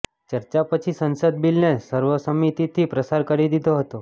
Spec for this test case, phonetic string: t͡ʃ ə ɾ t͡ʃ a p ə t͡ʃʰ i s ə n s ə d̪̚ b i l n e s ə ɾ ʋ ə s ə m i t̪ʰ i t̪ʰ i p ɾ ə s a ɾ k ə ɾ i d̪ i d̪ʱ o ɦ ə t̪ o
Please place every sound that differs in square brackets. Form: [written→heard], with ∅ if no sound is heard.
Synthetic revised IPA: t͡ʃ ə ɾ t͡ʃ a p ə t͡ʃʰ i s ə n s ə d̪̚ b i l n e s ə ɾ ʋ ə s ə m i [t̪ʰ→t̪] i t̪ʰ i p ɾ ə s a ɾ k ə ɾ i d̪ i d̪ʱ o ɦ ə t̪ o